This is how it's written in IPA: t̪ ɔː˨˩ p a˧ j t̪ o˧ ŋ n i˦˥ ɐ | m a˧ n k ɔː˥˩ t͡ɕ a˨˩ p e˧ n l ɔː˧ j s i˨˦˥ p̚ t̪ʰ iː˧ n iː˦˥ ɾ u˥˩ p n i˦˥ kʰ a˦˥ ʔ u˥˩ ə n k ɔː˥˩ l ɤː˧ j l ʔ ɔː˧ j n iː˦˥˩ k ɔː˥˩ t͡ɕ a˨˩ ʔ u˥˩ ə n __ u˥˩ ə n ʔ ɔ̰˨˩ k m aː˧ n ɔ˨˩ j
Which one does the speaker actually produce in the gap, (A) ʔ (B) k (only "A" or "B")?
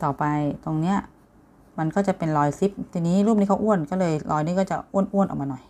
A